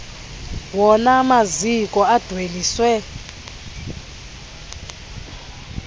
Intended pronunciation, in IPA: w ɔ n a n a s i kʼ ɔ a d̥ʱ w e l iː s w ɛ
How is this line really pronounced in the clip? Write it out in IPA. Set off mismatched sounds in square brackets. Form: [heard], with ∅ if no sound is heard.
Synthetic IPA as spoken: w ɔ n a [m] a [z] i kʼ ɔ a d̥ʱ w e l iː s w ɛ